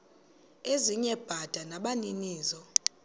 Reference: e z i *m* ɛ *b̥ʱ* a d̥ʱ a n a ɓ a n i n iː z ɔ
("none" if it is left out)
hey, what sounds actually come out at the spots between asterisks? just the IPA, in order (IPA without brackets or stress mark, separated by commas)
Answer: ɲ, b̥ʱ